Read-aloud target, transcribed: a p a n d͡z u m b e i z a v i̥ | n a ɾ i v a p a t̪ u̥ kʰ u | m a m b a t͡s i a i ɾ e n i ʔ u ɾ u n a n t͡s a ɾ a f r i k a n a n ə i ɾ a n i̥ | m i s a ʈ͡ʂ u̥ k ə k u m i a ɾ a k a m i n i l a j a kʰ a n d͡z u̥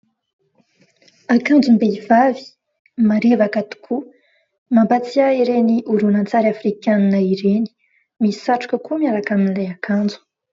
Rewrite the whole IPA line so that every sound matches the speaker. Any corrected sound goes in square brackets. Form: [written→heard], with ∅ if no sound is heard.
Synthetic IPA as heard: a [p→k] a n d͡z u m b e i [z→v] a v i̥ | [n→m] a ɾ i v a [p→k] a t̪ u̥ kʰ u | m a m b a t͡s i a i ɾ e n i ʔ u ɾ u n a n t͡s a ɾ a f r i k a n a n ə i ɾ [a→e] n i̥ | m i s a ʈ͡ʂ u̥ k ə k u m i a ɾ a k a m i n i l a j a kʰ a n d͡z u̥

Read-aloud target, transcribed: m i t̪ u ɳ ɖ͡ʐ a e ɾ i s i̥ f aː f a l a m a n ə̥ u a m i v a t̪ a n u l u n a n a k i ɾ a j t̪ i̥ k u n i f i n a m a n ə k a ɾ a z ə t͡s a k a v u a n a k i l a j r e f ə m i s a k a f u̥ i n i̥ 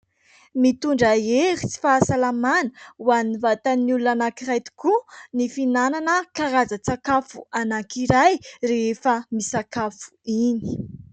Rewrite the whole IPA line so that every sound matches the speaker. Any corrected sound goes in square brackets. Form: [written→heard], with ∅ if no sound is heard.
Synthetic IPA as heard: m i t̪ u ɳ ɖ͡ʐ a e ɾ i [s→t͡s] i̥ f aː [f→s] a l a m a n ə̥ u a [m→n] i v a t̪ a n u l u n a n a k i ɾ a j t̪ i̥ k u n i f i n a [m→n] a n ə k a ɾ a z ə t͡s a k a [v→f] u a n a k i [l→ɾ] a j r e f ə m i s a k a f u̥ i n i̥

